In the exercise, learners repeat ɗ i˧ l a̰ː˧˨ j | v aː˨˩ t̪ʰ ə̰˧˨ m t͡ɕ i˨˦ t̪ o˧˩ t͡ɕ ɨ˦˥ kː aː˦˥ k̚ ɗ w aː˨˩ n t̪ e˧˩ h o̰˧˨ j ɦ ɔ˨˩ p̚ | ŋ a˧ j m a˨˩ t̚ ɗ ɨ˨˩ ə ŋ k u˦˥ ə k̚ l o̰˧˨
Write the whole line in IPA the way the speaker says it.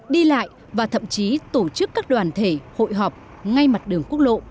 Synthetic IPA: ɗ i˧ l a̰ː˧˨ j | v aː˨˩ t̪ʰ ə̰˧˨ m t͡ɕ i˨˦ t̪ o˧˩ t͡ɕ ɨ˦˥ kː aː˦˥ k̚ ɗ w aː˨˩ n t̪ʰ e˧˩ h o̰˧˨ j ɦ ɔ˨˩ p̚ | ŋ a˧ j m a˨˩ t̚ ɗ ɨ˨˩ ə ŋ k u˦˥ ə k̚ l o̰˧˨